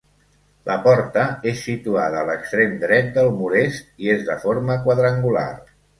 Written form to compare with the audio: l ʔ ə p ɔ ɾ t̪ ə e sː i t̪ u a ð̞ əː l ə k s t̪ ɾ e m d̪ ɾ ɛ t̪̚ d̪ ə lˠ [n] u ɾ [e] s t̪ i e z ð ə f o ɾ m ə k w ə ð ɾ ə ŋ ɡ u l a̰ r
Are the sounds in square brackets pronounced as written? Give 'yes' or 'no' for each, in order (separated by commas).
no, yes